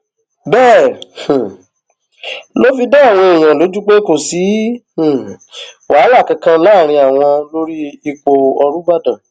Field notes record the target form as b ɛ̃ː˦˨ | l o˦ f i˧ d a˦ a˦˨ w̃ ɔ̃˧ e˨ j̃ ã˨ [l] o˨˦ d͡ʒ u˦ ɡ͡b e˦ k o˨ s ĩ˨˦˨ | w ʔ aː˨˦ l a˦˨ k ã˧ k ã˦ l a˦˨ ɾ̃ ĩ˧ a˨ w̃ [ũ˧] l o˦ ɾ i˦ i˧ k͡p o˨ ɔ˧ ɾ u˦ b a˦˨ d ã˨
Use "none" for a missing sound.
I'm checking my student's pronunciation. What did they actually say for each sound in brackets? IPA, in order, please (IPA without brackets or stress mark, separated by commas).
l, ɔ̃˧